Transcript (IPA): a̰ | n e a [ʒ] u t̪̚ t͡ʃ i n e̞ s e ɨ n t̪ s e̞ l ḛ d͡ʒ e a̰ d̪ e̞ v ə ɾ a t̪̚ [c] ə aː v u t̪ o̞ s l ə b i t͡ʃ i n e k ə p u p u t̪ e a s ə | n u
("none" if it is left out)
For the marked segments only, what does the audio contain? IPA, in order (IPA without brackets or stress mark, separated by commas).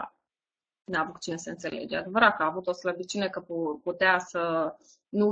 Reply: v, k